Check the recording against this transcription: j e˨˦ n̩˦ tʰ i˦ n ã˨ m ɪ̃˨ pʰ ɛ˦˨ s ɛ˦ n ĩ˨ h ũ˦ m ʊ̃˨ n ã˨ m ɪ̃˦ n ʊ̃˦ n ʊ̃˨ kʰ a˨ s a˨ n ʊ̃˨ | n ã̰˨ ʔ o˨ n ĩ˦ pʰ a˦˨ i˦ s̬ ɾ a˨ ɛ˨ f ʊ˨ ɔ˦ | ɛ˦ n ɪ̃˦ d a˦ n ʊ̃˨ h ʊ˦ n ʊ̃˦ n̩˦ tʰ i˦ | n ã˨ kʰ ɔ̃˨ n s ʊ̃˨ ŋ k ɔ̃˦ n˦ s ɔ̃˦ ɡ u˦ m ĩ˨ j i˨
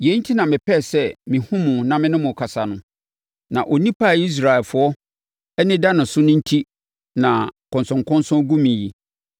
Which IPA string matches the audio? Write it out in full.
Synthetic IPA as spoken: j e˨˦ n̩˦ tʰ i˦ n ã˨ m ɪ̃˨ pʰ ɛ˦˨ s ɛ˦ m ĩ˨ h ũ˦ m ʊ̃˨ n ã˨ m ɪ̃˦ n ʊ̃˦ m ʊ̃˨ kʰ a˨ s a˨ n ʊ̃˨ | n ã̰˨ ʔ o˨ n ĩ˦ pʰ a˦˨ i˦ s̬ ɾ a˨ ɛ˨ f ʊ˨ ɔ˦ | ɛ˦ n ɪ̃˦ d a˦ n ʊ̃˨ s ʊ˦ n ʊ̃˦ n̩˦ tʰ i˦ | n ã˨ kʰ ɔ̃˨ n s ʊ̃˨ ŋ k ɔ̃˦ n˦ s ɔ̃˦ ɡ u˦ m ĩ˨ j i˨

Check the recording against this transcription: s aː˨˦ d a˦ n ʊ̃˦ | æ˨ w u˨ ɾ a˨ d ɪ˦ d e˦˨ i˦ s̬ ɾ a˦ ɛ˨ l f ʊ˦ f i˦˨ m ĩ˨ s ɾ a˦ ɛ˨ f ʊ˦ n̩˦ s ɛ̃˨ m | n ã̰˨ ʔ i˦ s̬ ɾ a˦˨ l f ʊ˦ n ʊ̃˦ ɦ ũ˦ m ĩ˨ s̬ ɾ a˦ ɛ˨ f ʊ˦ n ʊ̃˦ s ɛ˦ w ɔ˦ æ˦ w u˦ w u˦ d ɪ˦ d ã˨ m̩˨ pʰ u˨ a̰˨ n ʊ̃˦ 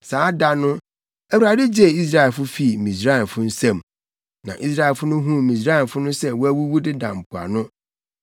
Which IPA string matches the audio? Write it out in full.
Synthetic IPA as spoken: s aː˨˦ d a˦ n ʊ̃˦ | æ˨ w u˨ ɾ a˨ d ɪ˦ d͡ʑ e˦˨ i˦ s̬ ɾ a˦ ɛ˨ l f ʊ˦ f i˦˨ m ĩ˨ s ɾ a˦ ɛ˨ f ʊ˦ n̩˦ s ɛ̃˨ m | n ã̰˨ ʔ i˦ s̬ ɾ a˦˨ l f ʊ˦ n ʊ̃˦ ɦ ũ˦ m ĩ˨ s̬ ɾ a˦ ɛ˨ f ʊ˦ n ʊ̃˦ s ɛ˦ w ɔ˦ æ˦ w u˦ w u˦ d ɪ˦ d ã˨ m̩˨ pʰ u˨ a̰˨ n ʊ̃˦

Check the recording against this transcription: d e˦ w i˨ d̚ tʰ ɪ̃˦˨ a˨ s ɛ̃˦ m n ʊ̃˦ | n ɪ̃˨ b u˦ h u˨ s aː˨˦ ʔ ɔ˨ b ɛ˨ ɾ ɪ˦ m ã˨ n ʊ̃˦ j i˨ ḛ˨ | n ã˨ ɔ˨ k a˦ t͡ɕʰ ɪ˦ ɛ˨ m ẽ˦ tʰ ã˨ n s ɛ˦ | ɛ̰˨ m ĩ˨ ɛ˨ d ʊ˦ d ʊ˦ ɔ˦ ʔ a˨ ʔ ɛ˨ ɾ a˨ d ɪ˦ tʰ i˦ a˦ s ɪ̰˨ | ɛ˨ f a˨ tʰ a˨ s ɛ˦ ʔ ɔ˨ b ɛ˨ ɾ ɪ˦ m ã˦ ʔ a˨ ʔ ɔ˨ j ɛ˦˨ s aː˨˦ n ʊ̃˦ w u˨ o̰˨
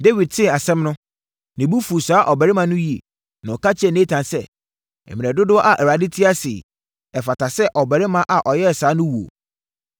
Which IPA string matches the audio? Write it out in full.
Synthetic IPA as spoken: d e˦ w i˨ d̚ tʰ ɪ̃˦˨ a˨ s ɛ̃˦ m n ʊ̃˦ | n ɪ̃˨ b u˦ f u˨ s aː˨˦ ʔ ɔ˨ b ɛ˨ ɾ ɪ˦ m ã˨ n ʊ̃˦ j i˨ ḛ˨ | n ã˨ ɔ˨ k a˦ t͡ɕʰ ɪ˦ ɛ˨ n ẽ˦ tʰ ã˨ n s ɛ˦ | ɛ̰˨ m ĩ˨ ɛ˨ d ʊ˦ d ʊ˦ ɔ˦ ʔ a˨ ʔ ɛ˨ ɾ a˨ d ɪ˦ tʰ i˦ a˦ s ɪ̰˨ | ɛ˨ f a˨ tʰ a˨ s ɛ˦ ʔ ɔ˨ b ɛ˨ ɾ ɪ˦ m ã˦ ʔ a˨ ʔ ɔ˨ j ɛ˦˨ s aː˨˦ n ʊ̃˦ w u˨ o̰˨

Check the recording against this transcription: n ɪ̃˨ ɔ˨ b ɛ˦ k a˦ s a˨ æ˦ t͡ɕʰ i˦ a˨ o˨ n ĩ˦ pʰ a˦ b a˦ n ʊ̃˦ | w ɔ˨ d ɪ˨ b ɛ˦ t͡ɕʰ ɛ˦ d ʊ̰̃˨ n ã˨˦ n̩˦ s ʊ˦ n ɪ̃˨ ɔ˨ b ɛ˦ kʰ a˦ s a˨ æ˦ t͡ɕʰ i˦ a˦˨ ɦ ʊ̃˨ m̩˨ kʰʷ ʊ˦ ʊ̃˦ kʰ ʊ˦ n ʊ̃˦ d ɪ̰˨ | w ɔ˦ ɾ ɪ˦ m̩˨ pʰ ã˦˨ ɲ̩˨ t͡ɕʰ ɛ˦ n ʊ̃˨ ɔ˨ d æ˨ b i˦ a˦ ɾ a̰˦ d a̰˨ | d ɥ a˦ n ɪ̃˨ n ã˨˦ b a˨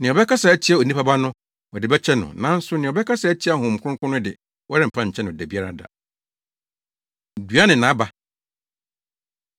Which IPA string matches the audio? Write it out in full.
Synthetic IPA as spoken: n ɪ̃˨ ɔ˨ b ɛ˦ k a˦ s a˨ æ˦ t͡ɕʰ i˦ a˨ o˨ n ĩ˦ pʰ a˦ b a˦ n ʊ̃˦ | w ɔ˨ d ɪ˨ b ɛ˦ t͡ɕʰ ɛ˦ n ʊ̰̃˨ n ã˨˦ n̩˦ s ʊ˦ n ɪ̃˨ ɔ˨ b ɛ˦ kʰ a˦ s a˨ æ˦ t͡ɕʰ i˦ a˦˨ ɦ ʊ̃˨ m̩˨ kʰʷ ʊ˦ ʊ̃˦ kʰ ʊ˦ n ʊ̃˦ d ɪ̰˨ | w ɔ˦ ɾ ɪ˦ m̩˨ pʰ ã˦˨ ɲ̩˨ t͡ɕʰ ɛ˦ n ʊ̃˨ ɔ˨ d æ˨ b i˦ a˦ ɾ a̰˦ d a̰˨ | d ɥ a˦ n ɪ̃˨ n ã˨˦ b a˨

